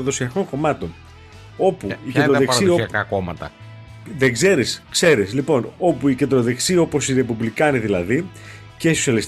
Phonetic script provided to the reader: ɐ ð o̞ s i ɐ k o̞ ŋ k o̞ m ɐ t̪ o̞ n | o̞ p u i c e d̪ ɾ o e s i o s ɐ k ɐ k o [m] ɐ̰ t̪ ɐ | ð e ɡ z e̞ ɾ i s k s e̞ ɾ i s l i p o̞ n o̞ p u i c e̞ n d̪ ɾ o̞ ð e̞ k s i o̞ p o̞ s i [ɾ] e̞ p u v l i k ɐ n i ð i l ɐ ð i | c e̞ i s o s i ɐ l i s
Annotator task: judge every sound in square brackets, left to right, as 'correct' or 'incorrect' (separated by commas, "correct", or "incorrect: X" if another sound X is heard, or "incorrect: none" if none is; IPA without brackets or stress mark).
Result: correct, correct